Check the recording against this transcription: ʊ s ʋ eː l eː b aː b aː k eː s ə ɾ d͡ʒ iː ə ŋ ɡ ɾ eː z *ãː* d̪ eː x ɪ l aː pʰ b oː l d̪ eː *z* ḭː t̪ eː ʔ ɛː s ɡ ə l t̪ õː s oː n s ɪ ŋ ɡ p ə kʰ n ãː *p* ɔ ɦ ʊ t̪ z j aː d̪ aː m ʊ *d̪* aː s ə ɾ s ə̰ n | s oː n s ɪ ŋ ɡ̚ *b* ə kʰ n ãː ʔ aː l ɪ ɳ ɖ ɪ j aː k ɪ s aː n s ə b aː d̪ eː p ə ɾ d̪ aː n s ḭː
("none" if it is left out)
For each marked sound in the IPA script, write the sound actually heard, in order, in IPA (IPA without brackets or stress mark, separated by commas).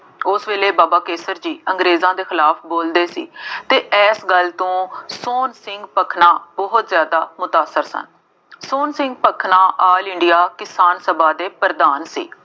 ãː, s, b, t̪, p